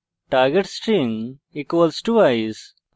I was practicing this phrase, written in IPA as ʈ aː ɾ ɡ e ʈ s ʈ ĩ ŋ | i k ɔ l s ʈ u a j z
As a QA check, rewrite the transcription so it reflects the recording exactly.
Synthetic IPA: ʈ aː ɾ ɡ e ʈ s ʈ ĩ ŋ | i k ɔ l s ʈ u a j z